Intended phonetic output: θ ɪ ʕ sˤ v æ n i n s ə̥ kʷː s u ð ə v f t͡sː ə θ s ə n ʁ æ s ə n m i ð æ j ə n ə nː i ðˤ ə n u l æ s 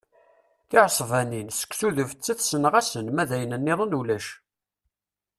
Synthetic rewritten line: θ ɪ ʕ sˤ v æ n i n s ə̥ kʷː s u ð ə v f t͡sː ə θ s ə n ʁ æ s ə n m æ ð æ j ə n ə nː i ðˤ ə n u l æ ʃ